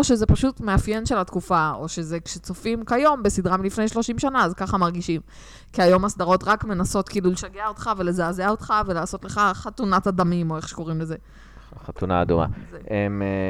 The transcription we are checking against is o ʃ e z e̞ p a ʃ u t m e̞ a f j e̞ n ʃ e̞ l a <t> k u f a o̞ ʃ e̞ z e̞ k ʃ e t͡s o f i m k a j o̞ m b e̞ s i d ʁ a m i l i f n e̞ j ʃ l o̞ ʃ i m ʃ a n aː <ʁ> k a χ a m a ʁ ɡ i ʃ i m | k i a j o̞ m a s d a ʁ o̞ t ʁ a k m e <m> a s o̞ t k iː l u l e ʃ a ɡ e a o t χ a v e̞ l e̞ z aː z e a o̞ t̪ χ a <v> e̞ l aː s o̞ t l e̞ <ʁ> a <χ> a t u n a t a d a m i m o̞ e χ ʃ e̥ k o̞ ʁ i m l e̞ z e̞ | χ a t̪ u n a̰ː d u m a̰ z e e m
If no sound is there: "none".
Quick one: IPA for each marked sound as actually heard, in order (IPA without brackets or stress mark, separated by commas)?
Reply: t, z, n, v, χ, χ